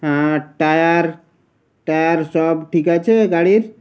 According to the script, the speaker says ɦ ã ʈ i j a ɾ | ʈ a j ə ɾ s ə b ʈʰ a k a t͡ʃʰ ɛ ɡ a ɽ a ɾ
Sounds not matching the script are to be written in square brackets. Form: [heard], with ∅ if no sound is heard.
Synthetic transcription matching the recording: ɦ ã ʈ [a] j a ɾ | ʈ a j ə ɾ s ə b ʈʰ [i] k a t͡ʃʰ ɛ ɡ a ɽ [i] ɾ